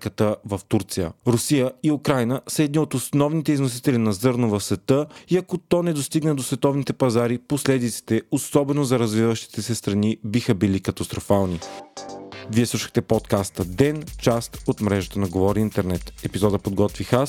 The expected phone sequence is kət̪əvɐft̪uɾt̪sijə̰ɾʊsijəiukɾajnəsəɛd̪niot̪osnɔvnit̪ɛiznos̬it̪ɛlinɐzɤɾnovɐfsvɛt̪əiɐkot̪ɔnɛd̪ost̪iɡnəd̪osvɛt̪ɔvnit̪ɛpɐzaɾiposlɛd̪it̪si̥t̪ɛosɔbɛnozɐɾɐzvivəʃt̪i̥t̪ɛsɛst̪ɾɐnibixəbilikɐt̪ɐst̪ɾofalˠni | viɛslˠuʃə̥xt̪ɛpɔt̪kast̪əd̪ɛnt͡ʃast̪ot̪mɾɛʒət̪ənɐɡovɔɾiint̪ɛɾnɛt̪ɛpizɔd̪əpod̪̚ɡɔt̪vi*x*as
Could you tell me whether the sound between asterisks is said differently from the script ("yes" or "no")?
no